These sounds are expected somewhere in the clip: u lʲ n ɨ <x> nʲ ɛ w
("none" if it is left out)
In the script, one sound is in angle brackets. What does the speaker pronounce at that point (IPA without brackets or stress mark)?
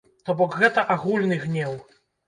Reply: ɣ